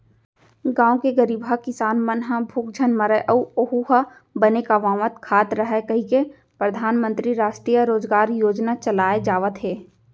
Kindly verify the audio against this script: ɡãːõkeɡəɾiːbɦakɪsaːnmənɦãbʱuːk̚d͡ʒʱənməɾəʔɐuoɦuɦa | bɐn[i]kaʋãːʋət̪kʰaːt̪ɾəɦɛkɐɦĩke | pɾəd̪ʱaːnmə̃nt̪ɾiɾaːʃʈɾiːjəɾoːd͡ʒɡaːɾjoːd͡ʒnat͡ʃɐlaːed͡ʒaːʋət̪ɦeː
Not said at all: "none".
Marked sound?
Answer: e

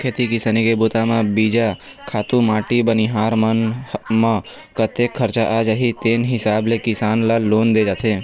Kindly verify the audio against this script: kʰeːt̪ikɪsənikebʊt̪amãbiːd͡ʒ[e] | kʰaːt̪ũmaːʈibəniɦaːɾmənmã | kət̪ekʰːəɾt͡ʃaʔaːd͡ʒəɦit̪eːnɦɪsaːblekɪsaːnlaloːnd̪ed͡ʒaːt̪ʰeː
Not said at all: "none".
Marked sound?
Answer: a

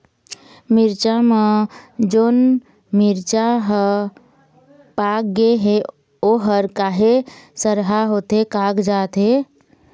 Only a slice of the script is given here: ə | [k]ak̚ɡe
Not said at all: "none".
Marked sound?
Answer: p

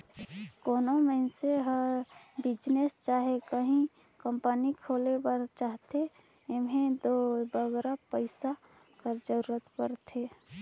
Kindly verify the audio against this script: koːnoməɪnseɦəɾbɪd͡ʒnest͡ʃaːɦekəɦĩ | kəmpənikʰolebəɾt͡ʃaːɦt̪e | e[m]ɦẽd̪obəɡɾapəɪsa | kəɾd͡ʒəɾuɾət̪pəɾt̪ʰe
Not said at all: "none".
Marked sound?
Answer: m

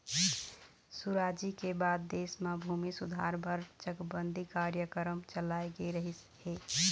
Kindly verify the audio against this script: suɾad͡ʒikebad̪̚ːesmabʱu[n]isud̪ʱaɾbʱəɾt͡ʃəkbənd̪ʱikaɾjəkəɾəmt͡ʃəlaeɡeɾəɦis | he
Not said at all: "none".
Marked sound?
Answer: m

